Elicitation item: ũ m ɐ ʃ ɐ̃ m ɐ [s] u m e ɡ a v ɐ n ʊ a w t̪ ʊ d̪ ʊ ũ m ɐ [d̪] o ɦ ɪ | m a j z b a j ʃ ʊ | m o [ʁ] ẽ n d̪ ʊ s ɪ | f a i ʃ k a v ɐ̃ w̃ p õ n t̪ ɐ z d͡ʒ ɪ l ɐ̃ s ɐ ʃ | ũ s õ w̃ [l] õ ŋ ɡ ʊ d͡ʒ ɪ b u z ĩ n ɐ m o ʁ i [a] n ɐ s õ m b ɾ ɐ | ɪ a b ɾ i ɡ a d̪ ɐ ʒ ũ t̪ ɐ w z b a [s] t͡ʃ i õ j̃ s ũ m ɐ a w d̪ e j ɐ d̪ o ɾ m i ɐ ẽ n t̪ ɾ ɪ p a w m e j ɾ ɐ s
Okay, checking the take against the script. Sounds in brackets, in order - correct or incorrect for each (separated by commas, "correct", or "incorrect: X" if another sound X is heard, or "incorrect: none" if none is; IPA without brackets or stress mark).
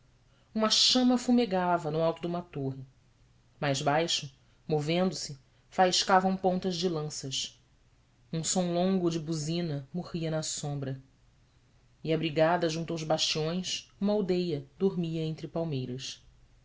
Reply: incorrect: f, incorrect: t̪, incorrect: v, correct, incorrect: ɐ, incorrect: ʃ